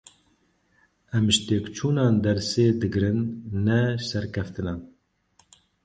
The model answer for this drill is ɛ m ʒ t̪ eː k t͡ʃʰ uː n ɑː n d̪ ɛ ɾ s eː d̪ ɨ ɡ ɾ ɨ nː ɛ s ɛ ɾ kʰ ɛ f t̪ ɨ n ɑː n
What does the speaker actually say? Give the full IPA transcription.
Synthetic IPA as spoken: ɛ m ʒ t̪ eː k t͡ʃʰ uː n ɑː n d̪ ɛ ɾ s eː d̪ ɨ ɡ ɾ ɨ nː ɛ s ɛ ɾ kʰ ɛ f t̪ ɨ n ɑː n